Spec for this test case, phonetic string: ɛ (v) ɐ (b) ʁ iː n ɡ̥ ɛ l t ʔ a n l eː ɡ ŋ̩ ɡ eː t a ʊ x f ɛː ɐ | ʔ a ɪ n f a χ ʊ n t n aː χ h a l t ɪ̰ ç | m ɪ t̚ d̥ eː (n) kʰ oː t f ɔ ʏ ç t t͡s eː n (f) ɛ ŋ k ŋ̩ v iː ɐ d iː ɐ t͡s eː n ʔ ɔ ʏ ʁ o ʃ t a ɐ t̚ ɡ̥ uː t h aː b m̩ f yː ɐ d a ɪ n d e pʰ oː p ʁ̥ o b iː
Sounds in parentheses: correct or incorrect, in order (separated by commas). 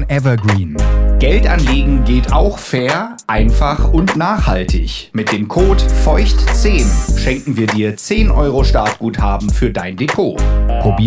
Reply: correct, incorrect, incorrect, incorrect